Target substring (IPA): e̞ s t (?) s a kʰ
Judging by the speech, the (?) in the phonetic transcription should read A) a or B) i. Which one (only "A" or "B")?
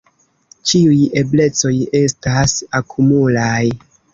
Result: A